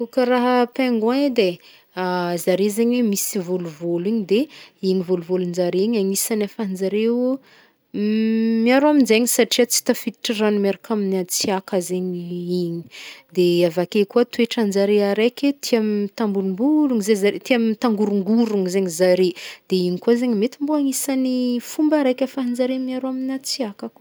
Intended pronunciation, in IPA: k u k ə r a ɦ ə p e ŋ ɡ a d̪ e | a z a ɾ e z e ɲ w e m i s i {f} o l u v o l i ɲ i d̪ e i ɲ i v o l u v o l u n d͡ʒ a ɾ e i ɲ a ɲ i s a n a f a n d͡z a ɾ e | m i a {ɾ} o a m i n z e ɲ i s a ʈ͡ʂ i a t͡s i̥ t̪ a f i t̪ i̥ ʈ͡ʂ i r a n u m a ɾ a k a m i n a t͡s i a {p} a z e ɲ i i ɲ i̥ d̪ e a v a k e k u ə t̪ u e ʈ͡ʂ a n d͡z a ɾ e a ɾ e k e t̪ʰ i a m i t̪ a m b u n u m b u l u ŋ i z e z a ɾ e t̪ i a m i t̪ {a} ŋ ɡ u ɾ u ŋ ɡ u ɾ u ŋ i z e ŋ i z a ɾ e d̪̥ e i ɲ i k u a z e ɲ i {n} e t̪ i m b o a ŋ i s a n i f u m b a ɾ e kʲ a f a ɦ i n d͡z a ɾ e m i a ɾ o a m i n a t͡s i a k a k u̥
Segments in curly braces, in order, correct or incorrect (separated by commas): incorrect, correct, incorrect, correct, incorrect